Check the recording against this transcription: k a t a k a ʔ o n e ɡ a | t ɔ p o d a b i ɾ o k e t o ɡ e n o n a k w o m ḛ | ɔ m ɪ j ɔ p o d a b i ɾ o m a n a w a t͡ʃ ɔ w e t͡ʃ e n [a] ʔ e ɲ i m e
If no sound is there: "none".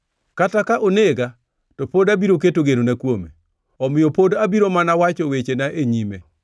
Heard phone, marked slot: a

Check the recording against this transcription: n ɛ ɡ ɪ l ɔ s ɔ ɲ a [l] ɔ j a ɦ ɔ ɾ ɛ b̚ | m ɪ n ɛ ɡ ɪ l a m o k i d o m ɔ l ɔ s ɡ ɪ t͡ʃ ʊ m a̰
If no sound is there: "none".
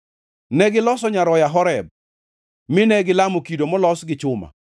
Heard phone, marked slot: ɾ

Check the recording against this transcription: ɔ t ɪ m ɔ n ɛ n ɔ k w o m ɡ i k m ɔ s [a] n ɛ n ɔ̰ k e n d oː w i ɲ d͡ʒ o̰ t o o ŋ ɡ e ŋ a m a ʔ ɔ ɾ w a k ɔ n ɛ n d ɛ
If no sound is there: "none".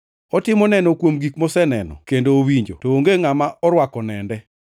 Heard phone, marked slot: ɛ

